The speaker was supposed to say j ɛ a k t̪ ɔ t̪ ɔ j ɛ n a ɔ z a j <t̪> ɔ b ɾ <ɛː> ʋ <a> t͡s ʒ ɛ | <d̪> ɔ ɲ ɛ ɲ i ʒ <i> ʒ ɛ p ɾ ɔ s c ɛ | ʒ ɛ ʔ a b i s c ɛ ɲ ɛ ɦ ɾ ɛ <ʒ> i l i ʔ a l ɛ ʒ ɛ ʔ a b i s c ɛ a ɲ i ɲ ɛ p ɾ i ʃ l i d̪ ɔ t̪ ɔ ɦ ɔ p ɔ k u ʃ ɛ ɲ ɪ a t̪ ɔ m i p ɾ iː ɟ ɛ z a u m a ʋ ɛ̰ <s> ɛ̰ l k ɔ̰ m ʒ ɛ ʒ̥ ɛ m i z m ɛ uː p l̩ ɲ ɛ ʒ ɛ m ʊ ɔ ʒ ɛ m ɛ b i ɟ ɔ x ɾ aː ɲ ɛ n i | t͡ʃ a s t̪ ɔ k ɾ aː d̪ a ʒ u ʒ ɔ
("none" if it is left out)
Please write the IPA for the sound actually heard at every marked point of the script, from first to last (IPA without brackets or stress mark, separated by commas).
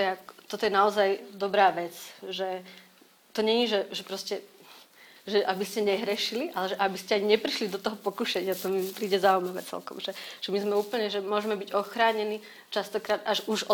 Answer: d̪, aː, ɛ, t̪, ɛ, ʃ, t͡s